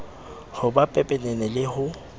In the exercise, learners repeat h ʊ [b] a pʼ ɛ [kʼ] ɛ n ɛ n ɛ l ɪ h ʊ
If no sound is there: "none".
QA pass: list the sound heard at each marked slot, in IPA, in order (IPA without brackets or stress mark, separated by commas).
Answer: b, pʼ